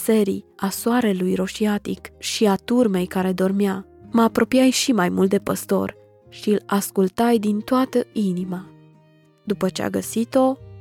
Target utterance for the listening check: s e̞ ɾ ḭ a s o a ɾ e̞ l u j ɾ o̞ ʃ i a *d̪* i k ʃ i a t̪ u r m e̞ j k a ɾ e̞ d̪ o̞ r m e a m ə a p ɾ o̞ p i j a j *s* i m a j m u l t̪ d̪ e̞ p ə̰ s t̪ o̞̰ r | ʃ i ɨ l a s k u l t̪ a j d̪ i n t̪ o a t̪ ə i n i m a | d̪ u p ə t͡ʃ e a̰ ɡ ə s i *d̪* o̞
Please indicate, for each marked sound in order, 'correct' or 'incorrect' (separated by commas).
incorrect, incorrect, incorrect